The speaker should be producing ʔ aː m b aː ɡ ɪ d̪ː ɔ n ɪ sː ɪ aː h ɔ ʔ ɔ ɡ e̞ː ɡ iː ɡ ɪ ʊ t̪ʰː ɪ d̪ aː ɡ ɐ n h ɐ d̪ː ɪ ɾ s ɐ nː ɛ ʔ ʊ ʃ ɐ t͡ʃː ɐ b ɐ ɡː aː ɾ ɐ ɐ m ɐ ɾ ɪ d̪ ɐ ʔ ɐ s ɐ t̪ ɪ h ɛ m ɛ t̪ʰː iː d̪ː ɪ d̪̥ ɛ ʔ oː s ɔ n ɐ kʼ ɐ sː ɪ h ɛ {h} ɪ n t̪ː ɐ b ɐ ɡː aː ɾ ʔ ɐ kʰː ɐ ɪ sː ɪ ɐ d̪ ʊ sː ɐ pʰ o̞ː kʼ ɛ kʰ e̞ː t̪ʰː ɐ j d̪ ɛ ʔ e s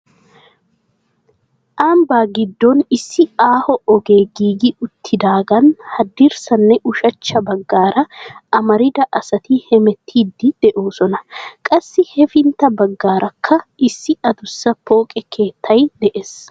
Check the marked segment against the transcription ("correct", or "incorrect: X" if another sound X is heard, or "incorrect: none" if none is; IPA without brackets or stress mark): incorrect: f